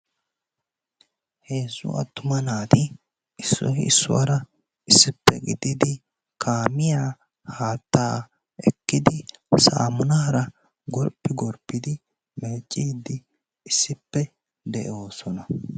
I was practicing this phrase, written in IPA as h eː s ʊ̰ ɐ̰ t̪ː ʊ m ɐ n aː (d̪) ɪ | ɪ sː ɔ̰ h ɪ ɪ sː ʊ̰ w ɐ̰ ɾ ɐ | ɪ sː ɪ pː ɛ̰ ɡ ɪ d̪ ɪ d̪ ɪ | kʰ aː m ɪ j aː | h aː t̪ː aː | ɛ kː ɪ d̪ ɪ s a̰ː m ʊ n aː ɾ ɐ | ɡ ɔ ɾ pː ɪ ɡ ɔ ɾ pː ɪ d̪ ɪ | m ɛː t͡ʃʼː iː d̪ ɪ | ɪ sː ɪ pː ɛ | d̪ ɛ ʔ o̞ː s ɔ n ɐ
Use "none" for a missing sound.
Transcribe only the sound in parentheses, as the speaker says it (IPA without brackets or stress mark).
t̪